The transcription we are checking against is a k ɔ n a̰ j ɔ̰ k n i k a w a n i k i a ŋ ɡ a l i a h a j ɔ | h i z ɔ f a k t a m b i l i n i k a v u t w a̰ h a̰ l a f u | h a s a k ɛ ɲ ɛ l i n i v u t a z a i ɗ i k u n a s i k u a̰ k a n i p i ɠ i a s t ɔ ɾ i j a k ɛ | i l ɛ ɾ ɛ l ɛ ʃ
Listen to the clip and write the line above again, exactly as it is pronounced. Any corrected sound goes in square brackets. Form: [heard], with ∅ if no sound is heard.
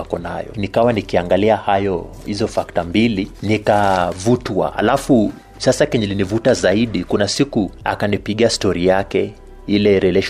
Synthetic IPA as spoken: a k ɔ n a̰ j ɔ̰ [∅] n i k a w a n i k i a ŋ ɡ a l i a h a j ɔ | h i z ɔ f a k t a m b i l i n i k a v u t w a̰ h a̰ l a f u | [s] a s a k ɛ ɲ ɛ l i n i v u t a z a i ɗ i k u n a s i k u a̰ k a n i p i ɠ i a s t ɔ ɾ i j a k ɛ | i l ɛ ɾ ɛ l ɛ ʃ